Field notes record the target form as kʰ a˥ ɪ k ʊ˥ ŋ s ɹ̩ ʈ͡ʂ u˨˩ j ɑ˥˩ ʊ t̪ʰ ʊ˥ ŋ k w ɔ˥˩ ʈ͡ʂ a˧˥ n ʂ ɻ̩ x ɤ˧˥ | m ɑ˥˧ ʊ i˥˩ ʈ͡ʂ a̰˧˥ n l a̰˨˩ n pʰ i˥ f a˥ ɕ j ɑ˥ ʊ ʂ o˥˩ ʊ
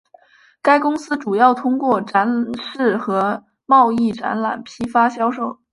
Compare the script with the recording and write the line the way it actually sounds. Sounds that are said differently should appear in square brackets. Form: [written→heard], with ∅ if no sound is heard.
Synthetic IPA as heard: [kʰ→k] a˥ ɪ k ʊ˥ ŋ s ɹ̩ ʈ͡ʂ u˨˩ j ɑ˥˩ ʊ t̪ʰ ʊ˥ ŋ k w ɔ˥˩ ʈ͡ʂ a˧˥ n ʂ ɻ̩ x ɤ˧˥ | m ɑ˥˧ ʊ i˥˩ ʈ͡ʂ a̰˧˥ n l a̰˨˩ n pʰ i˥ f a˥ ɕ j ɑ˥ ʊ ʂ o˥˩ ʊ